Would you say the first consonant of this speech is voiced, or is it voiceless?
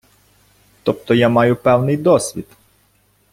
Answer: voiceless